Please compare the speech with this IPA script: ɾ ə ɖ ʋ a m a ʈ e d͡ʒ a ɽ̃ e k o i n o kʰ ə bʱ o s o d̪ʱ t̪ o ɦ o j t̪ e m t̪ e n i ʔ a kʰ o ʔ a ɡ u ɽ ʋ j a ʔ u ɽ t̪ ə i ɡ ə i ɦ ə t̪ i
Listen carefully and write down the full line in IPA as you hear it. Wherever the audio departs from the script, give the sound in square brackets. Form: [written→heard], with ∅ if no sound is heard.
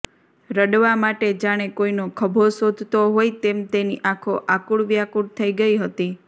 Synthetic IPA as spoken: ɾ ə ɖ ʋ a m a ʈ e d͡ʒ a ɽ̃ e k o i n o kʰ ə bʱ o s o d̪ʱ t̪ o ɦ o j t̪ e m t̪ e n i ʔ a kʰ o ʔ a [ɡ→k] u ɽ ʋ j a [ʔ→k] u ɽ [t̪→t̪ʰ] ə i ɡ ə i ɦ ə t̪ i